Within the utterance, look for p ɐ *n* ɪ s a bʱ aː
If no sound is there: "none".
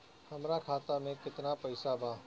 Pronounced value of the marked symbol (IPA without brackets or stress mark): none